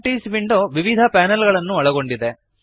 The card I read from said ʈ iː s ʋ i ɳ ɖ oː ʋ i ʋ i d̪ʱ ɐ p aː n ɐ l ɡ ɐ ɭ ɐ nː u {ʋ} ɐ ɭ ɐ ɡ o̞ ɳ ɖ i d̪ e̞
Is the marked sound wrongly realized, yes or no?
yes